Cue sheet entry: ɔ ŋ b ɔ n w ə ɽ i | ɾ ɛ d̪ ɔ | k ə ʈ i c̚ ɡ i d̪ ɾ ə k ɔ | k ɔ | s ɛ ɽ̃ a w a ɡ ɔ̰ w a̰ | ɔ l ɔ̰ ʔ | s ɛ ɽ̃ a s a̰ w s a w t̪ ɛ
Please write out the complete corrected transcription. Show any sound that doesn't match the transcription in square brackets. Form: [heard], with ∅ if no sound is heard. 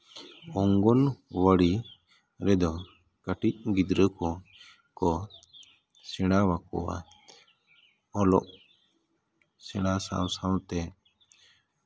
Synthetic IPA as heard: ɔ ŋ [ɡ] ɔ n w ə ɽ i | ɾ ɛ d̪ ɔ | k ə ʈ i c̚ ɡ i d̪ ɾ ə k ɔ | k ɔ | s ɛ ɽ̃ a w a [k] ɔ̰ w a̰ | ɔ l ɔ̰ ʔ | s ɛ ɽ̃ a s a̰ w s a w t̪ ɛ